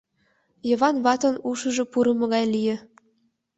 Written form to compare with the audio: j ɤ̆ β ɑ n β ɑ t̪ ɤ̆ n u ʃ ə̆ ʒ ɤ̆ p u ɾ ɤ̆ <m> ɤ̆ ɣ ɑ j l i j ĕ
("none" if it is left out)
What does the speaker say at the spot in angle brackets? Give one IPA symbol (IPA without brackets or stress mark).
m